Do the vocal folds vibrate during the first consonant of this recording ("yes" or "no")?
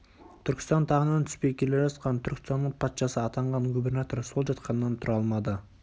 no